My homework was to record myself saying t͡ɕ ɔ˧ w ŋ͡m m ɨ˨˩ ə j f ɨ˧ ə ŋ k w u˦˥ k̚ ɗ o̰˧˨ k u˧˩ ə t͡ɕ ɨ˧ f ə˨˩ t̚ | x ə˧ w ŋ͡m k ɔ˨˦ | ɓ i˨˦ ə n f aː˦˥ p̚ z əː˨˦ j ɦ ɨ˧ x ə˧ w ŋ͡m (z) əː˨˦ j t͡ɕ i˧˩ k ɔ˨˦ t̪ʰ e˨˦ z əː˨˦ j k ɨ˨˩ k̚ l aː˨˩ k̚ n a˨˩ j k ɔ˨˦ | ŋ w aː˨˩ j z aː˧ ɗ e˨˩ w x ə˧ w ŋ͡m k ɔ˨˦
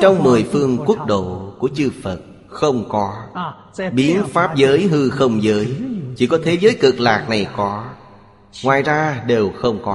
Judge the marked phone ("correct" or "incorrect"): correct